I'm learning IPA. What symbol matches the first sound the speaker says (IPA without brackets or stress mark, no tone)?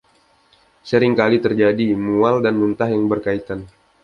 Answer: s